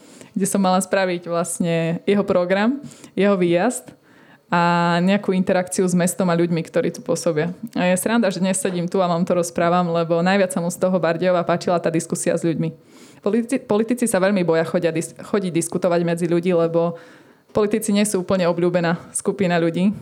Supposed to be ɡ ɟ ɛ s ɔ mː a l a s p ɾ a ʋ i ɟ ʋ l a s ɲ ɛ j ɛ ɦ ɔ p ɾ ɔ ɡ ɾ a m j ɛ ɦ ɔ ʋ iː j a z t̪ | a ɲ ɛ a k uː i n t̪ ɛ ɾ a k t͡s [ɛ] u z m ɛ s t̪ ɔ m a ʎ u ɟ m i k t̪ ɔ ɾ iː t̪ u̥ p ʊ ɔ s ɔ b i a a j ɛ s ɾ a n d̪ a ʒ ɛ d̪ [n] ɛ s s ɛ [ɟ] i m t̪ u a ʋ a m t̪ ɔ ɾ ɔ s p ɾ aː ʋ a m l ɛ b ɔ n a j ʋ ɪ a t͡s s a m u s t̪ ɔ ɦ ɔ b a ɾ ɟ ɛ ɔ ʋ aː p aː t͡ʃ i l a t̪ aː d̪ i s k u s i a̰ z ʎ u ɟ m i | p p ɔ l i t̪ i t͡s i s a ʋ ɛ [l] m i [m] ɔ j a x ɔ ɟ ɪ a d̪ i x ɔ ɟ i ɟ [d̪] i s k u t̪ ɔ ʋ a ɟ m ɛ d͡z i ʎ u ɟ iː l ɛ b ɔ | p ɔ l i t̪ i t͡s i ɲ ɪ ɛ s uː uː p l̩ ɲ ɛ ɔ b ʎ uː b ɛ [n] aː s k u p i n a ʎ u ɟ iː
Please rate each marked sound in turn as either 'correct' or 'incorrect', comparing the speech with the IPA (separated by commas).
incorrect, incorrect, correct, incorrect, incorrect, correct, correct